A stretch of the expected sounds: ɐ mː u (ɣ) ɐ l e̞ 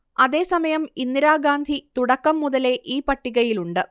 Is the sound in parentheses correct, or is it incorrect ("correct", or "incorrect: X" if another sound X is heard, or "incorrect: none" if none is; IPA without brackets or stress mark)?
incorrect: ð